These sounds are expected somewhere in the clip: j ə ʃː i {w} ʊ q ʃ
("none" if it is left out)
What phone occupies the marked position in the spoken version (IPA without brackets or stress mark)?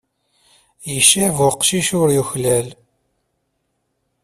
v